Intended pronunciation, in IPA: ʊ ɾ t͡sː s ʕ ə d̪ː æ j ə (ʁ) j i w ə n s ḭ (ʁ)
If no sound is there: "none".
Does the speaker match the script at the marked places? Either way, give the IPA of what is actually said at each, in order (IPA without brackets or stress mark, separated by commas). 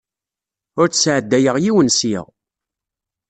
ʁ, ʁ